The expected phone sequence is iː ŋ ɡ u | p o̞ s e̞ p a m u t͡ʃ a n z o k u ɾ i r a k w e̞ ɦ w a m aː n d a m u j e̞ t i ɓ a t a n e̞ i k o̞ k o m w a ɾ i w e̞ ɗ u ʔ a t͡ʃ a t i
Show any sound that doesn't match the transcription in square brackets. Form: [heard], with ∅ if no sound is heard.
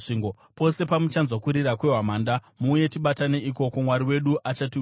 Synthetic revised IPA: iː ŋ ɡ [o] | p o̞ s e̞ p a m u t͡ʃ a n z o k u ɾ i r a k w e̞ ɦ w a m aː n d a m u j e̞ t i ɓ a t a n e̞ i k o̞ k o m w a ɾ i w e̞ ɗ u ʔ a t͡ʃ a t i